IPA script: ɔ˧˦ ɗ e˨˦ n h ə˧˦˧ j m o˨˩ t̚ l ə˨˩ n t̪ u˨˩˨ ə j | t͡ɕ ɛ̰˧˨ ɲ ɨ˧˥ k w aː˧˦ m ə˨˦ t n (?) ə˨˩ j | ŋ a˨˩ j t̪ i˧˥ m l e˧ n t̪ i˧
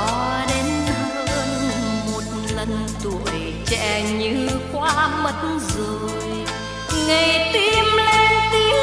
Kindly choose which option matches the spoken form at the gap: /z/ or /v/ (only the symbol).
z